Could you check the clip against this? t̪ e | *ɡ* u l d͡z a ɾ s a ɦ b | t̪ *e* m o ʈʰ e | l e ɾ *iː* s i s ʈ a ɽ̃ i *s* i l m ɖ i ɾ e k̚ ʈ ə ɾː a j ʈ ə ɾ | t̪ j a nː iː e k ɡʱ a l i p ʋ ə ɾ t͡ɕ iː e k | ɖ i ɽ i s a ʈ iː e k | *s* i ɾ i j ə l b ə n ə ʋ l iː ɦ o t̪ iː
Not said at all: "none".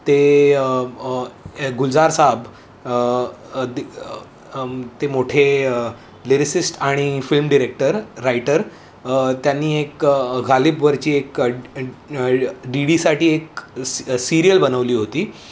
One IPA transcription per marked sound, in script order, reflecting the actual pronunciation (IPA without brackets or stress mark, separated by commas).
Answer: ɡ, e, i, f, s